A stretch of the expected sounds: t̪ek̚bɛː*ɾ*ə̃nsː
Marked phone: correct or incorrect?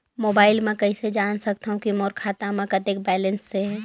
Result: incorrect: l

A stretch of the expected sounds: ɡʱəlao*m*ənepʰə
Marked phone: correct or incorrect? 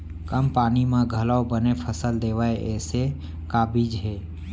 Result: incorrect: b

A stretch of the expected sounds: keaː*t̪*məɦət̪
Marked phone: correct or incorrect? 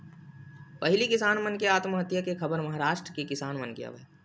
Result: correct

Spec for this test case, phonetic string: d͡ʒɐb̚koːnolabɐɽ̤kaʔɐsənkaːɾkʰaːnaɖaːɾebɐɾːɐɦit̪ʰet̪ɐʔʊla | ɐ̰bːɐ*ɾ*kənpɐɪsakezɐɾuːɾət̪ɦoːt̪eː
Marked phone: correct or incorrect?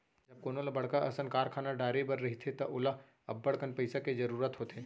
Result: incorrect: ɽ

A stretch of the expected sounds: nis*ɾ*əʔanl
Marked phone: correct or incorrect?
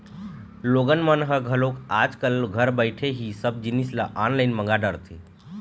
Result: incorrect: l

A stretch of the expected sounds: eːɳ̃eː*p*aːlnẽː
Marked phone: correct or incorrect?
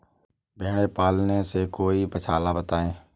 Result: correct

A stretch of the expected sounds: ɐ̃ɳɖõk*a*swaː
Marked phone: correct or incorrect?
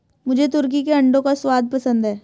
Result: correct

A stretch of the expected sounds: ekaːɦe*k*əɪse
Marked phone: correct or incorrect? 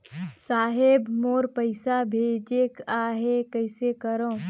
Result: correct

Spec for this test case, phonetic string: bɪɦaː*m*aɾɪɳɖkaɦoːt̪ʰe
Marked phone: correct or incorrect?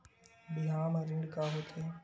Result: correct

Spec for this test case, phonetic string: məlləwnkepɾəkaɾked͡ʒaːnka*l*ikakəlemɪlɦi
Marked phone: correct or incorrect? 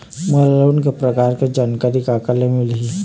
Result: incorrect: ɾ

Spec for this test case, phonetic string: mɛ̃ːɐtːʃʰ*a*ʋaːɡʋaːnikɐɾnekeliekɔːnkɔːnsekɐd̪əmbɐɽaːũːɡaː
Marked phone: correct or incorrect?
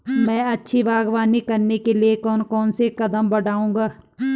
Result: incorrect: i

